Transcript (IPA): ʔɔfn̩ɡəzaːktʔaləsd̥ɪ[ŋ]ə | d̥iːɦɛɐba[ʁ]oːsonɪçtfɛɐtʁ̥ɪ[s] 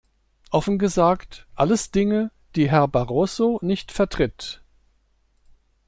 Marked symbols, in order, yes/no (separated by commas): yes, yes, no